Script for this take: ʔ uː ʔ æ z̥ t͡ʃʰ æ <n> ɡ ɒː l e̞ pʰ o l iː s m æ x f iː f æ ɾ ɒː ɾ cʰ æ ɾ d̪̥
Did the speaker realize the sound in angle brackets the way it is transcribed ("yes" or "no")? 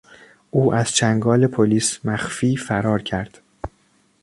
no